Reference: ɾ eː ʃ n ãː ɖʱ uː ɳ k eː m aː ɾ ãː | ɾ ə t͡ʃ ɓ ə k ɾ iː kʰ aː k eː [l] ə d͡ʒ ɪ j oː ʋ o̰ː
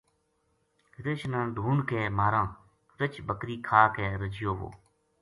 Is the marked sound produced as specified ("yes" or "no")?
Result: no